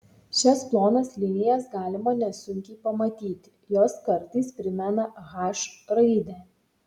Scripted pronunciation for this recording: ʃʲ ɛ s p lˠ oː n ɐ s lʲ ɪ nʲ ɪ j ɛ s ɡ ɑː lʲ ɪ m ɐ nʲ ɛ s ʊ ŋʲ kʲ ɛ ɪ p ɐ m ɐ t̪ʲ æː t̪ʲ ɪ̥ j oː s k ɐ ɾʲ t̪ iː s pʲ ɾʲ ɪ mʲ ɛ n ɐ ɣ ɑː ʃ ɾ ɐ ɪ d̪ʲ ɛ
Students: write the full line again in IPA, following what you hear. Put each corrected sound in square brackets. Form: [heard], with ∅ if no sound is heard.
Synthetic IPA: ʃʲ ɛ s p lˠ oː n ɐ s lʲ ɪ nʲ ɪ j ɛ s ɡ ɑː lʲ ɪ m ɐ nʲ ɛ s ʊ ŋʲ kʲ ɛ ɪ p ɐ m ɐ t̪ʲ [iː] t̪ʲ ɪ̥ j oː s k ɐ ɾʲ t̪ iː s pʲ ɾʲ ɪ mʲ ɛ n ɐ ɣ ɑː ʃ ɾ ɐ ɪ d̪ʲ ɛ